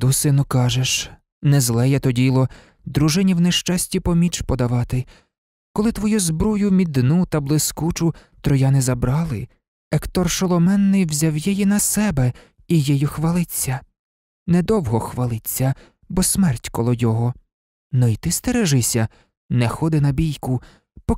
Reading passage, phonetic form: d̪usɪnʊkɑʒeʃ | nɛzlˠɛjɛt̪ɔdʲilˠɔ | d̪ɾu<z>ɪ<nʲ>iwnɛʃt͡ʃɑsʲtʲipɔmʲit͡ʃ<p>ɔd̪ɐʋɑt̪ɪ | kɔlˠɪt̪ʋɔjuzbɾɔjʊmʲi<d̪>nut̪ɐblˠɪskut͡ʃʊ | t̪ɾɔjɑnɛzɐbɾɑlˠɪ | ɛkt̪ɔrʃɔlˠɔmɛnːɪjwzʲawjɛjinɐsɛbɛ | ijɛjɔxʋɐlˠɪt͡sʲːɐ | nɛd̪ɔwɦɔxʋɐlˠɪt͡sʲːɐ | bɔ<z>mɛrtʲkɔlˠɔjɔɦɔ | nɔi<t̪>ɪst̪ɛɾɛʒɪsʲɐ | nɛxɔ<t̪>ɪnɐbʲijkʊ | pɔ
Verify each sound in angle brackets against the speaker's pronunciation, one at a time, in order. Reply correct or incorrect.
incorrect, correct, correct, correct, incorrect, correct, incorrect

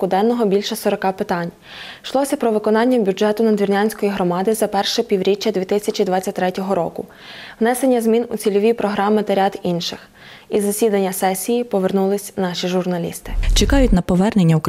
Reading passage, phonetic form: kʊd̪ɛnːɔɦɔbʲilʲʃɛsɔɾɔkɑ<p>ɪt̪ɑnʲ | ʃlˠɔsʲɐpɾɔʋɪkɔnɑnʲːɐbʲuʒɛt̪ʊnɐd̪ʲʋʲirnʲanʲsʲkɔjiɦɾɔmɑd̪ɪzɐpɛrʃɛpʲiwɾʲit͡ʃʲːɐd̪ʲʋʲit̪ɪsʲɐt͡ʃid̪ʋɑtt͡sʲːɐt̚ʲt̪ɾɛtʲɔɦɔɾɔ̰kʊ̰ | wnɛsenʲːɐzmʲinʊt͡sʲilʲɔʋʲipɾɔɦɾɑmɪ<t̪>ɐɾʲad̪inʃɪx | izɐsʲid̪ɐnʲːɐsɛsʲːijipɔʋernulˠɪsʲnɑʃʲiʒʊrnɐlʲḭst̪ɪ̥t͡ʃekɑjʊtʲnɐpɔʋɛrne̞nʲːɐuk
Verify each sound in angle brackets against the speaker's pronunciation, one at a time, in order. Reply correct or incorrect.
correct, correct

